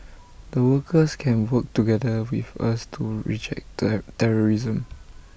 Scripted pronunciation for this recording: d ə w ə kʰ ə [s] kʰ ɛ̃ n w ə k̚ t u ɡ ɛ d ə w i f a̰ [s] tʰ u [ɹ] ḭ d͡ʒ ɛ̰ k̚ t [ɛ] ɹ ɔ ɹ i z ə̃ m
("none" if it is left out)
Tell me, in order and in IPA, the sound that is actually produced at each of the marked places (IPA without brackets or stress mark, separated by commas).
s, s, ɹ, ɛ